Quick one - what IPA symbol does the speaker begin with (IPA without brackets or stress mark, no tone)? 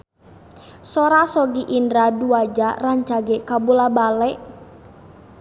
s